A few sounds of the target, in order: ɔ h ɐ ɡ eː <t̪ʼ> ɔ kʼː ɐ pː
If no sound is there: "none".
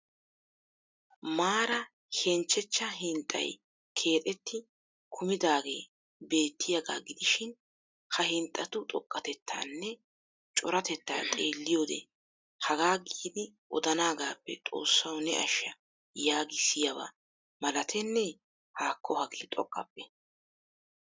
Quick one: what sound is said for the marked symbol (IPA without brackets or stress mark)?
t̪ʼ